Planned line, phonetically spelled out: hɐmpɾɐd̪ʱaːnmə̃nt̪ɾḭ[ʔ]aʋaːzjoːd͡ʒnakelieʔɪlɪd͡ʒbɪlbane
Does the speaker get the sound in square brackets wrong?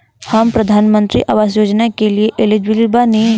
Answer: no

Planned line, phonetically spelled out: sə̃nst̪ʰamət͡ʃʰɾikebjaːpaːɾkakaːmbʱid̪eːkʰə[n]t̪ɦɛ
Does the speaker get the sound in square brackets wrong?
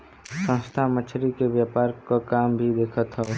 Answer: yes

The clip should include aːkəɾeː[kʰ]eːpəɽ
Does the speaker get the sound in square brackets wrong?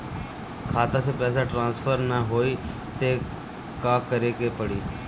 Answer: yes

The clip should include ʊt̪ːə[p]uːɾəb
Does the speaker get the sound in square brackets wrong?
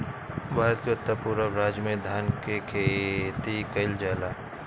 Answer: no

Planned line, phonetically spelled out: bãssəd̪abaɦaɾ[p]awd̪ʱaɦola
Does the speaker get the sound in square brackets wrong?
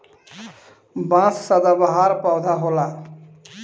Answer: no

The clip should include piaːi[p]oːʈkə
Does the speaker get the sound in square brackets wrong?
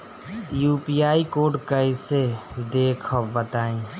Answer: yes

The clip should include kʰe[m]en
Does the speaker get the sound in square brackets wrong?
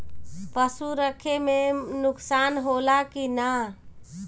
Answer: no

